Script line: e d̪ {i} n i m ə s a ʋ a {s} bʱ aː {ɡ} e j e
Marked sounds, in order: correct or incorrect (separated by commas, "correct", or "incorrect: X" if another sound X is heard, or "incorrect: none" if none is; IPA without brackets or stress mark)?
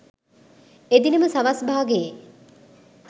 correct, correct, correct